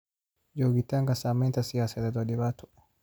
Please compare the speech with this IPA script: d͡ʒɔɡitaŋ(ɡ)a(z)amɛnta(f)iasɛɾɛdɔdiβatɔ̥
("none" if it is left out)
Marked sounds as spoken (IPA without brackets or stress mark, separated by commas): ɡ, s, s